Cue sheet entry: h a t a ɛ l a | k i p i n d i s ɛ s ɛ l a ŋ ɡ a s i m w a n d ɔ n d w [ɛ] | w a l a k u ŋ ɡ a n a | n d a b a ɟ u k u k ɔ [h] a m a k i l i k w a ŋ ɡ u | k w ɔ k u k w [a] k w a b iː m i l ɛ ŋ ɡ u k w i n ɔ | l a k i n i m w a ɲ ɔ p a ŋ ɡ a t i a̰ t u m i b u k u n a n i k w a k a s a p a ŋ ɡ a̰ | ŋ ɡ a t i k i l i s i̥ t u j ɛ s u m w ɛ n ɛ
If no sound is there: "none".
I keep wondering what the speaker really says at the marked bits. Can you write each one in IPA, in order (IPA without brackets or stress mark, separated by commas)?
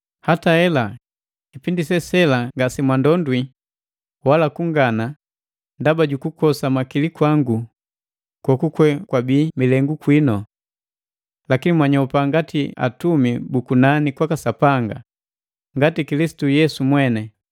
i, s, ɛ